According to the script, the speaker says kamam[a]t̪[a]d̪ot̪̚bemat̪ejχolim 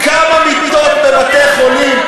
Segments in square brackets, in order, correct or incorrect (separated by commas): incorrect, incorrect